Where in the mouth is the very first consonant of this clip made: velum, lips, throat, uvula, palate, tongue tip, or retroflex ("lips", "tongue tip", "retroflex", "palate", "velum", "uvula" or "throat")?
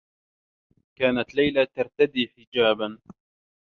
velum